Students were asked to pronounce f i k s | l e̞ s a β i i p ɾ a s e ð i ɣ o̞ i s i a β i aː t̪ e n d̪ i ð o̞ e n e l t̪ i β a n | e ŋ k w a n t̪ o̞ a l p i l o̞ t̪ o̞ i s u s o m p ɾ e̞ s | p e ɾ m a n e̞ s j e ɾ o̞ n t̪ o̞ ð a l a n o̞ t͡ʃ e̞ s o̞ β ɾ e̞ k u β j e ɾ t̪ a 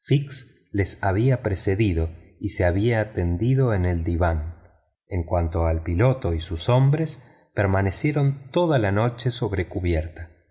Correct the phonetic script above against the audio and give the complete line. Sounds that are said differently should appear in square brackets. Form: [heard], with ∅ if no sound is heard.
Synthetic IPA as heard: f i k s | l e̞ s a β i [a] p ɾ [e] s e ð i [ð] o̞ i s [e] a β i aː t̪ e n d̪ i ð o̞ e n e l [d̪] i β a n | e ŋ k w a n t̪ o̞ a l p i l o̞ t̪ o̞ i s u s o m [b] ɾ e̞ s | p e ɾ m a n e̞ s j e ɾ o̞ n t̪ o̞ ð a l a n o̞ t͡ʃ e̞ s o̞ β ɾ e̞ k u β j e ɾ t̪ a